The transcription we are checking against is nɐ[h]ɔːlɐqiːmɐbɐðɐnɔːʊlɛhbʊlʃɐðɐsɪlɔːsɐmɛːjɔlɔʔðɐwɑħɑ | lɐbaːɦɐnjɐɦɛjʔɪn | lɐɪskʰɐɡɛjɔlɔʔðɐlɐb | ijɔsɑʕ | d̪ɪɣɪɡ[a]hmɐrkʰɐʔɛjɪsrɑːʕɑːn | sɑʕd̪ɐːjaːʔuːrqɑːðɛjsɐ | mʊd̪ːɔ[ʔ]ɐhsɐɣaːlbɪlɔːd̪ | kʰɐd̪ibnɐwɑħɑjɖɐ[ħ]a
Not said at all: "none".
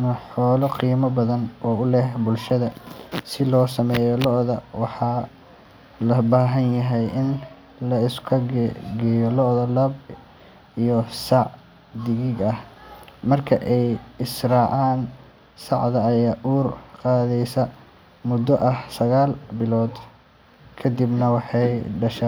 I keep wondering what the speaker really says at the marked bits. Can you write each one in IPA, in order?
ħ, ɐ, ʔ, ʃ

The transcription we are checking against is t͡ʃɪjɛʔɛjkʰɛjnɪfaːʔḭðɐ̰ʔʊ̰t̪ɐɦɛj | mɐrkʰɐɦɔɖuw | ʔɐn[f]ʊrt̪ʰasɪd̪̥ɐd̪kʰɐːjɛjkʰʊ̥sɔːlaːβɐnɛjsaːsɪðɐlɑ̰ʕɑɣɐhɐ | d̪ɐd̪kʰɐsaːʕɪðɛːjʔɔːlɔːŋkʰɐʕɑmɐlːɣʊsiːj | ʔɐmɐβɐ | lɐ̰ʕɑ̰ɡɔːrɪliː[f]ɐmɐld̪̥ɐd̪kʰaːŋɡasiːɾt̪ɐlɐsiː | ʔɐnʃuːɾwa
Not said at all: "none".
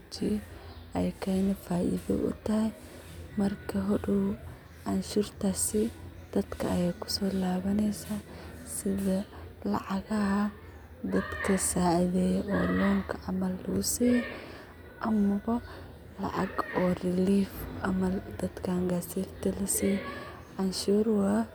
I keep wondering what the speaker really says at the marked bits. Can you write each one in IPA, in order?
ʃ, f

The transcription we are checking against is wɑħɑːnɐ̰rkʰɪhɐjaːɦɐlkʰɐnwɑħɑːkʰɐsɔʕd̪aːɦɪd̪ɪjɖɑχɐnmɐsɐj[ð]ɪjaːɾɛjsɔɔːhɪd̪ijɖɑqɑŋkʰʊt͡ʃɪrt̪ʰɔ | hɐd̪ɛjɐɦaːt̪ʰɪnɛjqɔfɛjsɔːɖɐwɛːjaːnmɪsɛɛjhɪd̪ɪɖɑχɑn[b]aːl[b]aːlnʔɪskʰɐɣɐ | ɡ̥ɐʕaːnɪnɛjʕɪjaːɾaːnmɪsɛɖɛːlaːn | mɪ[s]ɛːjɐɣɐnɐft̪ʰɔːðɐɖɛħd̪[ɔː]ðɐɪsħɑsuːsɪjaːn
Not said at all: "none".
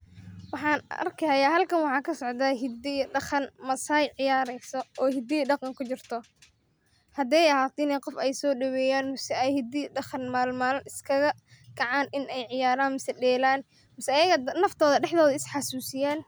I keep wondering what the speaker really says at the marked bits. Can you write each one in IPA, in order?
ʕ, m, m, s, ɔː

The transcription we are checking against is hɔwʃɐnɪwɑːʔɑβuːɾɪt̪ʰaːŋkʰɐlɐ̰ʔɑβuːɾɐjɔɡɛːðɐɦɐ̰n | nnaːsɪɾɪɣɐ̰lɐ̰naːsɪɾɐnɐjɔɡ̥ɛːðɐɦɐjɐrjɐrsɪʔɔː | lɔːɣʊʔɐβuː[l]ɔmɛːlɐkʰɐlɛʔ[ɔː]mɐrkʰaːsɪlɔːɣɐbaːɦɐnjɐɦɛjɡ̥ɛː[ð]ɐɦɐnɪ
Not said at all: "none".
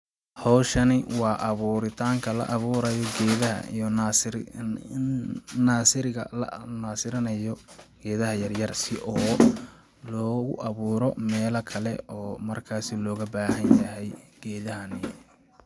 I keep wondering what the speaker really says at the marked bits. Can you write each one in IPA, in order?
ɾ, ɔː, ð

